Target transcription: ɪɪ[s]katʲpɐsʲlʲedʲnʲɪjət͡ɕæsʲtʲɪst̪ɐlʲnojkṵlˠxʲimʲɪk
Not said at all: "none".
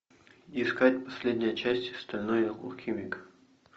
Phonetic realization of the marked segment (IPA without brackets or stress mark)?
s